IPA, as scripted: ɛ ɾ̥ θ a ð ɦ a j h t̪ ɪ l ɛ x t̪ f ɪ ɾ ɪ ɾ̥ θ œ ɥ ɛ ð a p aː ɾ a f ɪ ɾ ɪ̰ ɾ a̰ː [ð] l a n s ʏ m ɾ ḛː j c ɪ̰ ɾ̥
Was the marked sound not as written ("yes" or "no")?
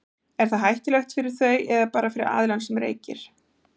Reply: no